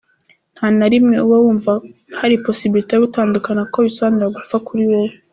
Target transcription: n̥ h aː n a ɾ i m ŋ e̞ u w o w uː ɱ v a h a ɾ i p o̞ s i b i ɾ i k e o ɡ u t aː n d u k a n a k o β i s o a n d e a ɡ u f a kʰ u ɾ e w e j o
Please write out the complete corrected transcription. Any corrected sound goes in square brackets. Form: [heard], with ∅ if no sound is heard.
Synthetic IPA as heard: n̥ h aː n a ɾ i m ŋ e̞ u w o w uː ɱ v a h a ɾ i p o̞ s i b i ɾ i [t] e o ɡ u t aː n d u k a n a k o β i s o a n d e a ɡ u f a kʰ u ɾ [i] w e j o

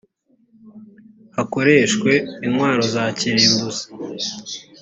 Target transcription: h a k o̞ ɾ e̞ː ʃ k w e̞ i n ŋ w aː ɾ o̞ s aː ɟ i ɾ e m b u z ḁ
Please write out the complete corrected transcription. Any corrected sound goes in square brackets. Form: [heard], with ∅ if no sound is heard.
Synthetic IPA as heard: h a k o̞ ɾ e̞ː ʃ k w e̞ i n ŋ w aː ɾ o̞ [z] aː [c] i ɾ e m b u z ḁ

